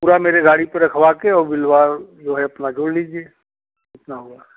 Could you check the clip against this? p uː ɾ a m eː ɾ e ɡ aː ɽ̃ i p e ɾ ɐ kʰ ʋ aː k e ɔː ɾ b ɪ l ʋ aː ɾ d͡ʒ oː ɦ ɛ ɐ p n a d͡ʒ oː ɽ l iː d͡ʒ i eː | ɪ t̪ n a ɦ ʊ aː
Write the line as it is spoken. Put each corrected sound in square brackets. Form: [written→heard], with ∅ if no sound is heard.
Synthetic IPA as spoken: p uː ɾ a m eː ɾ e ɡ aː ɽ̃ i p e ɾ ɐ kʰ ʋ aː k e ɔː ɾ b ɪ l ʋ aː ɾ d͡ʒ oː ɦ ɛ ɐ p n a d͡ʒ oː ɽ l iː d͡ʒ i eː | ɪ t̪ n a ɦ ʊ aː